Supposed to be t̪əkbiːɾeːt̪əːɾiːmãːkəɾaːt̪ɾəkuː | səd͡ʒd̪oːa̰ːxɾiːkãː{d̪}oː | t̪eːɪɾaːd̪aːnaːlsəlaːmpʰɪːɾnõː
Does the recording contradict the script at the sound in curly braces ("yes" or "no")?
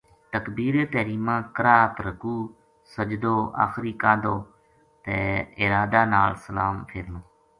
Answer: no